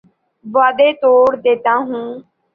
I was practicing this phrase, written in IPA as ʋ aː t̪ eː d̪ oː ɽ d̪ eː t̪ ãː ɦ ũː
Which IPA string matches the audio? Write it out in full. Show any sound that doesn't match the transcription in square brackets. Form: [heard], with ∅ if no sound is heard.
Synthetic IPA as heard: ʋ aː [d̪] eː [t̪] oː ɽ d̪ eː t̪ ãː ɦ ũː